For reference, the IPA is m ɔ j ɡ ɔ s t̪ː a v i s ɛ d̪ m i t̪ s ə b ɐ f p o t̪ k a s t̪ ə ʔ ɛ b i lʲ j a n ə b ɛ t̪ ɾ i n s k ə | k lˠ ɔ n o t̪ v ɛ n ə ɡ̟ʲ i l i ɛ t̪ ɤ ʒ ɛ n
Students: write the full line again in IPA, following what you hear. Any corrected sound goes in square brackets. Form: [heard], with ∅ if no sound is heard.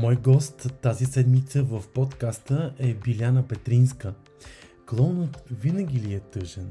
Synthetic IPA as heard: m ɔ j ɡ ɔ s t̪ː a [z] i s ɛ d̪ m i t̪ s ə [v] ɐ f p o t̪ k a s t̪ ə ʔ ɛ b i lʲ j a n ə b ɛ t̪ ɾ i n s k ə | k lˠ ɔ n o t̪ v [i] n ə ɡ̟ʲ i l i ɛ t̪ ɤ ʒ ɛ n